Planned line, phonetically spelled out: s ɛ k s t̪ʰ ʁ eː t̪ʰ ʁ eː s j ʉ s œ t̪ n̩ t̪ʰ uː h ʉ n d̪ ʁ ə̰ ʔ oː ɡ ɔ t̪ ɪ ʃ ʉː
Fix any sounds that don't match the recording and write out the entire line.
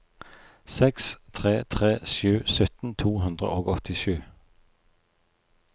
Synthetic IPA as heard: s ɛ k s t̪ʰ ʁ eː t̪ʰ ʁ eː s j ʉː s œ t̪ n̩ t̪ʰ uː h ʉ n d̪ ʁ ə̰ ʔ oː ɡ ɔ t̪ ɪ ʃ ʉː